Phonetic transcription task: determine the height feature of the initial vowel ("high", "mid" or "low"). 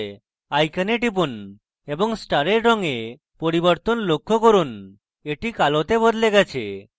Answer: low